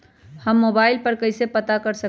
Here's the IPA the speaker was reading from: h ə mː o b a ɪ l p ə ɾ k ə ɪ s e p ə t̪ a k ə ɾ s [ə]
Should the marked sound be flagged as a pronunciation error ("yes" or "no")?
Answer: no